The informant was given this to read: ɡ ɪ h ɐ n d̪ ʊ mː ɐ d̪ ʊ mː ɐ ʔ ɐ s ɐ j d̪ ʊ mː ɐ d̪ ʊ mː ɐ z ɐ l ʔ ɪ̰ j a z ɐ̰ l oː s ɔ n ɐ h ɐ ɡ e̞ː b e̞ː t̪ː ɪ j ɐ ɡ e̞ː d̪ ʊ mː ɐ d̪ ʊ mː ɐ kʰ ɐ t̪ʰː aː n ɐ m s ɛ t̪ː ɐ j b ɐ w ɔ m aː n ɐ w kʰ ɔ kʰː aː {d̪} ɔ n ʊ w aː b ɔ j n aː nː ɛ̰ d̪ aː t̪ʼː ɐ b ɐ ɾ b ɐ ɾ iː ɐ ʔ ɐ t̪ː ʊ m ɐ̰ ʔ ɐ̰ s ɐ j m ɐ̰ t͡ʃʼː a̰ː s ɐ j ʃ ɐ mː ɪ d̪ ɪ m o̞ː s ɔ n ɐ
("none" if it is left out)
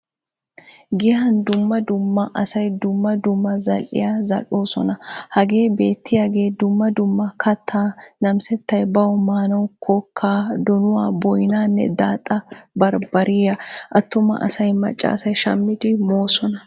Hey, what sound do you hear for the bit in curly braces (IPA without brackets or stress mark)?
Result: d̪